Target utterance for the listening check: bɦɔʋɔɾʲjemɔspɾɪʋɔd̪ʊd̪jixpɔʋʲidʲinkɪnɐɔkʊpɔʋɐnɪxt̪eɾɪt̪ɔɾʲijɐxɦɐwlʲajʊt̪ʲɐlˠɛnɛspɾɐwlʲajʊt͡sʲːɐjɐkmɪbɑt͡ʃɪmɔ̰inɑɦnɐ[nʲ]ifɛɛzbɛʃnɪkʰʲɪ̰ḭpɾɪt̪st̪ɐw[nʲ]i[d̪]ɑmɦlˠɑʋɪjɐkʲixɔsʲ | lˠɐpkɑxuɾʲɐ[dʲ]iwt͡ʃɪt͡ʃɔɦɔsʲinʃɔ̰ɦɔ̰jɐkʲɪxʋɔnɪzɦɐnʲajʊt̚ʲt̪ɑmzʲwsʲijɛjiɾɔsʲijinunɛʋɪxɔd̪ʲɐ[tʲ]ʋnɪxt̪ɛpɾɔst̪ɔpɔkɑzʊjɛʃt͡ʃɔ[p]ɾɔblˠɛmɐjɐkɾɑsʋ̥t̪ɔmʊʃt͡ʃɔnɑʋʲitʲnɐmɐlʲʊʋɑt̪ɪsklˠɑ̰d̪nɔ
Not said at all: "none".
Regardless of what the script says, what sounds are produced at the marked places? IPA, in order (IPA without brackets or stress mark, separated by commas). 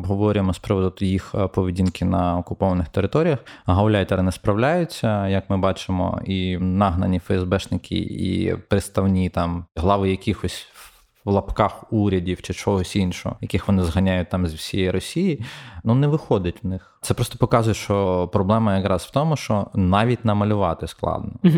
nʲ, nʲ, t̪, dʲ, tʲ, p